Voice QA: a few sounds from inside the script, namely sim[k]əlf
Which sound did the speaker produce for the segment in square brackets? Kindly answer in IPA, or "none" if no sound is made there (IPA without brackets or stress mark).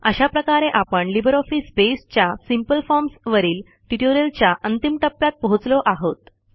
p